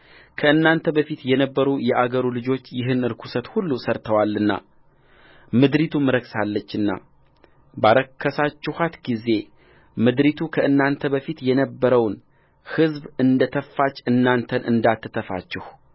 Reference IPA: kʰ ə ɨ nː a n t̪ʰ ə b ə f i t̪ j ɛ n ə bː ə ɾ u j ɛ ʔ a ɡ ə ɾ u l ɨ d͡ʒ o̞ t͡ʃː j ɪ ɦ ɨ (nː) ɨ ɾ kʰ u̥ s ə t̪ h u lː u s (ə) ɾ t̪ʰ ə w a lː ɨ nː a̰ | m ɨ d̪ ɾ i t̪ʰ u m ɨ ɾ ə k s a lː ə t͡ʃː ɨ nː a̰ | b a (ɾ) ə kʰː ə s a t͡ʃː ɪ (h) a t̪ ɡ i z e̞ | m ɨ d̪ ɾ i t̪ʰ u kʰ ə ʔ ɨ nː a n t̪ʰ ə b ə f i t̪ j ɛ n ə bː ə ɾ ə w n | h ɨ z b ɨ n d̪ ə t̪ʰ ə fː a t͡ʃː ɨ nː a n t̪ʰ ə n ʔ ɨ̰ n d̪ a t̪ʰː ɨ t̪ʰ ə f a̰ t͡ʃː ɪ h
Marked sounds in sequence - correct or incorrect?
incorrect: n, correct, correct, correct

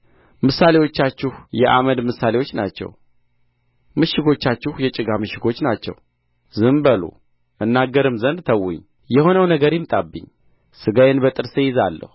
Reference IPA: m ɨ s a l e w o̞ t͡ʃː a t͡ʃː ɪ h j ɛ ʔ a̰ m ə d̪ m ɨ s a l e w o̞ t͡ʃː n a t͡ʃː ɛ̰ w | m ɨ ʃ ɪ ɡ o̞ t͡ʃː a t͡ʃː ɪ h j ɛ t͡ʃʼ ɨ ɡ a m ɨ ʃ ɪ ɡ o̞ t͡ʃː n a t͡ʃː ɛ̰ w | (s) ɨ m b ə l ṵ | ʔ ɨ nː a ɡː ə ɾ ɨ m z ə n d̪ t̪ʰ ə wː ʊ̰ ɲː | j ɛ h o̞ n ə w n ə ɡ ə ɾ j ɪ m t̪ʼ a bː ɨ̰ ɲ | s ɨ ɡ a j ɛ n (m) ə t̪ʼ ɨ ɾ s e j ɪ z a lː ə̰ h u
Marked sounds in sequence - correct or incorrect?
incorrect: z, incorrect: b

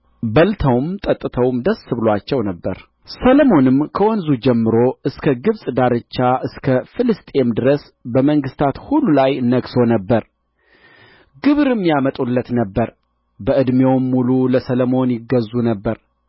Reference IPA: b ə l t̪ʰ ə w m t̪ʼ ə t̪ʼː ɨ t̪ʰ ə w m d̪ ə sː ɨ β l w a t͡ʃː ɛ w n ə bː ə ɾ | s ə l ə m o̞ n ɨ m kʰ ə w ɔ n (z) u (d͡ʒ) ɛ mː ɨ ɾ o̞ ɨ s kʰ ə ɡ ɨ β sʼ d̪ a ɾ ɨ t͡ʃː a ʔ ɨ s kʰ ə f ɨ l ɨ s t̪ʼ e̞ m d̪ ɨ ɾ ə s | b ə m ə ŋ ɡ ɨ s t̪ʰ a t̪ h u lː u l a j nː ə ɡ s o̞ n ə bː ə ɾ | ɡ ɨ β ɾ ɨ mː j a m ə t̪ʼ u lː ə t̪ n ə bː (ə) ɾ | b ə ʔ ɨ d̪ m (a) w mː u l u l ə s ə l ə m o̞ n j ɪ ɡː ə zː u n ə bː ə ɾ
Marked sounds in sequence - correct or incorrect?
correct, correct, correct, incorrect: e

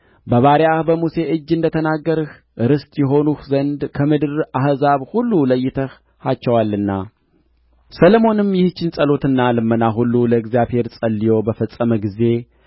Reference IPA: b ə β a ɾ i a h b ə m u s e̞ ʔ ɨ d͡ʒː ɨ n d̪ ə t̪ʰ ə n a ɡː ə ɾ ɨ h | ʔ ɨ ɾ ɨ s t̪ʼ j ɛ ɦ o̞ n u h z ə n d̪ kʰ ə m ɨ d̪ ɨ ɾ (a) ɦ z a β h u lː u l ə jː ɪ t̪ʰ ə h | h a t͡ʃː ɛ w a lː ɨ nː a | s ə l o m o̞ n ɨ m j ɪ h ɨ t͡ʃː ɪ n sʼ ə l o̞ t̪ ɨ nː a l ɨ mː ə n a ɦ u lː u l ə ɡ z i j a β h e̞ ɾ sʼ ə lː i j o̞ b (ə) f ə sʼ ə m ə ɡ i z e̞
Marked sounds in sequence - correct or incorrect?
correct, correct

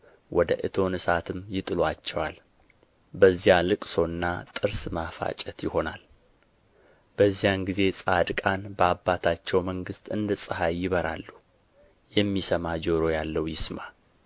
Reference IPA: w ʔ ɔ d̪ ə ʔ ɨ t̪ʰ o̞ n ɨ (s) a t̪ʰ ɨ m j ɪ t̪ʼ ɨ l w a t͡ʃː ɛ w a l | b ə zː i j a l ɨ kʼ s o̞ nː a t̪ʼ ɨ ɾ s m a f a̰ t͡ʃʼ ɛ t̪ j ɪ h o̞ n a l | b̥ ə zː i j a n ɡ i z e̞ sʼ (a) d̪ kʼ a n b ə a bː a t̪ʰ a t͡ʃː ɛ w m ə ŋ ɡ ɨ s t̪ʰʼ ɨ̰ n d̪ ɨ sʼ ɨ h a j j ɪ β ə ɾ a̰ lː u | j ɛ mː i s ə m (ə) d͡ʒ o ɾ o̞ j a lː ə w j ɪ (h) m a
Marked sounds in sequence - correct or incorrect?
correct, correct, incorrect: a, incorrect: s

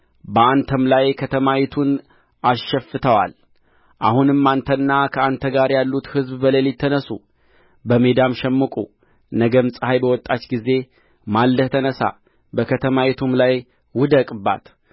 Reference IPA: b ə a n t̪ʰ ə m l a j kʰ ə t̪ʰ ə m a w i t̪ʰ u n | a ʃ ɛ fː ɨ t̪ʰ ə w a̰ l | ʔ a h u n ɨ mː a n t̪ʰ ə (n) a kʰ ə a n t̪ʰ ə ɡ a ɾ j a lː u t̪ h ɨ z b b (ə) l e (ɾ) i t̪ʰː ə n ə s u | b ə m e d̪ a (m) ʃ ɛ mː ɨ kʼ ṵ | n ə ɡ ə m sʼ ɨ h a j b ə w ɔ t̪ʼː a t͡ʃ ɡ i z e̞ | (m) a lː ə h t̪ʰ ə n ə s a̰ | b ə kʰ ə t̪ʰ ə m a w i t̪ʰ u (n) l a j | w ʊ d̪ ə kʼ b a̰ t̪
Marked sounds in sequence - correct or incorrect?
incorrect: nː, correct, incorrect: l, correct, correct, incorrect: m

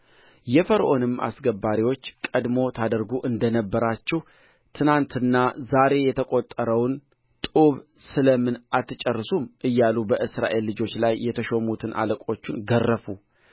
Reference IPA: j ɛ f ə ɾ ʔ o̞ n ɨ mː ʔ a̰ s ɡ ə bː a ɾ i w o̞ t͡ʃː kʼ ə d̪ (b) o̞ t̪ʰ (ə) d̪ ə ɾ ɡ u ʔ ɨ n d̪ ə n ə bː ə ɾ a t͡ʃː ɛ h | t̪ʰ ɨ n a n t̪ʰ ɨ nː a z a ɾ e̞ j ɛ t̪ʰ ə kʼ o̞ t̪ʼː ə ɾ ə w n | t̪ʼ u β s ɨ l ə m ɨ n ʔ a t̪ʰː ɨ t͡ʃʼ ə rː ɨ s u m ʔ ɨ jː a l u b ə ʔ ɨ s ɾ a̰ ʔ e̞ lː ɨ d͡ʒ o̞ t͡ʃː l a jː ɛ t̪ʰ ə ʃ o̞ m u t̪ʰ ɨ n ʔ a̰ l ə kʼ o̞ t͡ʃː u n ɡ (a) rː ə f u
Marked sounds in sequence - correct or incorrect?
incorrect: m, incorrect: a, incorrect: ə

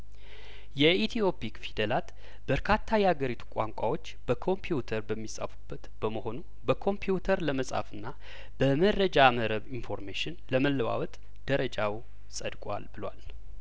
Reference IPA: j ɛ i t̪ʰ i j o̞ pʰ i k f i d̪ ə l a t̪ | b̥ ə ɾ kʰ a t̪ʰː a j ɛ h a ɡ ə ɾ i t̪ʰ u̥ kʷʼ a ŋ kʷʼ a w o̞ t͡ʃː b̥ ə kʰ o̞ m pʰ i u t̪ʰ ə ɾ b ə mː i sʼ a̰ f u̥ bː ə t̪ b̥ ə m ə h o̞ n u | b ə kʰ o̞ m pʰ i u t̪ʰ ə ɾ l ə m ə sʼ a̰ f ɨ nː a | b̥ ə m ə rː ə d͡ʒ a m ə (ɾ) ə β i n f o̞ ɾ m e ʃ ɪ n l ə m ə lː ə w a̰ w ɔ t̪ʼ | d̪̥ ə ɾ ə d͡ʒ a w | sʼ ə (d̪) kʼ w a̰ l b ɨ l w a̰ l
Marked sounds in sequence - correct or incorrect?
correct, correct

